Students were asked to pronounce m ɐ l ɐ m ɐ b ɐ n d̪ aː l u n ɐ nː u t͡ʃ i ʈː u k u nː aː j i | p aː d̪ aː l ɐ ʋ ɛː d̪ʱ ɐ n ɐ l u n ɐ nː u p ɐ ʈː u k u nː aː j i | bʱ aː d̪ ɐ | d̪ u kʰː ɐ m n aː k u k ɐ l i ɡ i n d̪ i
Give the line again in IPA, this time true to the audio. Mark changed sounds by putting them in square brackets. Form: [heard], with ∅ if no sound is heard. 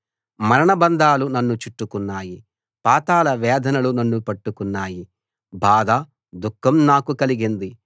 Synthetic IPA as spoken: m ɐ [ɾ] ɐ [ɳ] ɐ b ɐ n d̪ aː l u n ɐ nː u t͡ʃ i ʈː u k u nː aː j i | p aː [t̪] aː l ɐ ʋ ɛː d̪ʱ ɐ n ɐ l u n ɐ nː u p ɐ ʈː u k u nː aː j i | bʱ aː d̪ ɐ | d̪ u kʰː ɐ m n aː k u k ɐ l i ɡ i n d̪ i

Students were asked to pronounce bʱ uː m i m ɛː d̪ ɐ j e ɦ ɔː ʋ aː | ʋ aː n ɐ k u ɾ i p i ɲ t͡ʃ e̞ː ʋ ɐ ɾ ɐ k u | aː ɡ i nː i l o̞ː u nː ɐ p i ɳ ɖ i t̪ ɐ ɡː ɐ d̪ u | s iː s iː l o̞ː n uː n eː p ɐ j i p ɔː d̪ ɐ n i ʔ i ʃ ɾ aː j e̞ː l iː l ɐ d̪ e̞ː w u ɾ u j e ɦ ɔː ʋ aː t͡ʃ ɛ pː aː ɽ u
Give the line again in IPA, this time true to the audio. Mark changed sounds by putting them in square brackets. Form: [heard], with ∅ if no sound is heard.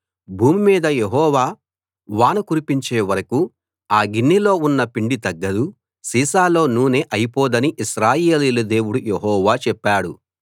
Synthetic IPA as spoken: bʱ uː m i m [iː] d̪ ɐ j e ɦ ɔː ʋ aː | ʋ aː n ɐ k u ɾ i p i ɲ t͡ʃ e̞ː ʋ ɐ ɾ ɐ k u | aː ɡ i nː i l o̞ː u nː ɐ p i ɳ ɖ i t̪ ɐ ɡː ɐ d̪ u | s iː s [aː] l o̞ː n uː n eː [ʔ] ɐ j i p ɔː d̪ ɐ n i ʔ i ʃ ɾ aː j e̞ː l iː l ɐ d̪ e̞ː w u [ɽ] u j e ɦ ɔː ʋ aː t͡ʃ ɛ pː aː ɽ u

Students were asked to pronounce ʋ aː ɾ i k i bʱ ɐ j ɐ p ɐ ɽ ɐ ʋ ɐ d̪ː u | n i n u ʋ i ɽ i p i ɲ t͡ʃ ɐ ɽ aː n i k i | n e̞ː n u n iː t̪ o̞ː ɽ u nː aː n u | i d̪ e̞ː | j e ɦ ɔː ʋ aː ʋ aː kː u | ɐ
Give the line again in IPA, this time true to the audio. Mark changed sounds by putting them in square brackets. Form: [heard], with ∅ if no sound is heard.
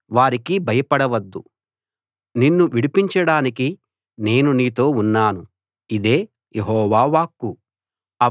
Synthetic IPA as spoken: ʋ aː ɾ i k i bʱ ɐ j ɐ p ɐ ɽ ɐ ʋ ɐ d̪ː u | n i [nː] u ʋ i ɽ i p i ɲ t͡ʃ ɐ ɽ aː n i k i | n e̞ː n u n iː t̪ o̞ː [∅] u nː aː n u | i d̪ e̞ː | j e ɦ ɔː ʋ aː ʋ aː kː u | ɐ

